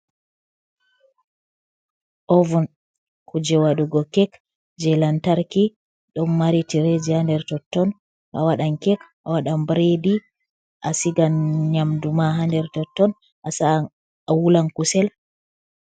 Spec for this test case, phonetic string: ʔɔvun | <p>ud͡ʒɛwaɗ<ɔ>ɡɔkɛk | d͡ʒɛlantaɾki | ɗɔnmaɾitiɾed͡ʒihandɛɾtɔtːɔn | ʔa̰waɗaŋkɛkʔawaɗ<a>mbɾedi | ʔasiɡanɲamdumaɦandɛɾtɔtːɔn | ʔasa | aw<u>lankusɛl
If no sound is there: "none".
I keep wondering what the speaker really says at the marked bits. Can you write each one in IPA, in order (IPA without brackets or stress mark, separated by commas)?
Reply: k, u, a, u